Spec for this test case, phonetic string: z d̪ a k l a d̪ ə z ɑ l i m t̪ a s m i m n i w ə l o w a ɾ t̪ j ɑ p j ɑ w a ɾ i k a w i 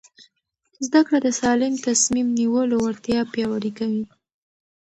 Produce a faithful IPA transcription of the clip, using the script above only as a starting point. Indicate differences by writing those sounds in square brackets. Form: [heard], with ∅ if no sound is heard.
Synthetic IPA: z d̪ a k [ɽ] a d̪ ə [s] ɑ l [ɪ] m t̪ a s m i m n i w ə l o w a ɾ t̪ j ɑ p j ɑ w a ɾ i k a w i